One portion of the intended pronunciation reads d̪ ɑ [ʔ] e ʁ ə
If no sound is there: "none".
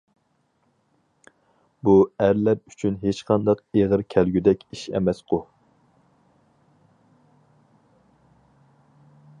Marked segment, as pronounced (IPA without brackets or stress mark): q